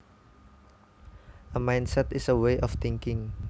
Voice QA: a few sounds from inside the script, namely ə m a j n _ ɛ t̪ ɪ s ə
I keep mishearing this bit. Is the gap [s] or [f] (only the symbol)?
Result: s